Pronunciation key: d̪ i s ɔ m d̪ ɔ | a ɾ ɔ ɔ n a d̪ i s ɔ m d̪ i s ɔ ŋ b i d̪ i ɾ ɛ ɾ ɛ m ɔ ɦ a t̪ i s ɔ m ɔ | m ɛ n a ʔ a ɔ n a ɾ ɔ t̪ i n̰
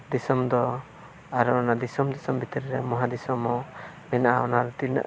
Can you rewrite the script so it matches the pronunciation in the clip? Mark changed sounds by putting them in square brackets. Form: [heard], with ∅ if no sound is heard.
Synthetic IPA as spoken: d̪ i s ɔ m d̪ ɔ | a ɾ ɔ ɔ n a d̪ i s ɔ m d̪ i s ɔ [m] b i [t̪] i ɾ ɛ ɾ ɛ m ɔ ɦ a [d̪] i s ɔ m ɔ | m ɛ n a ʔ a ɔ n a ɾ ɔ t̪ i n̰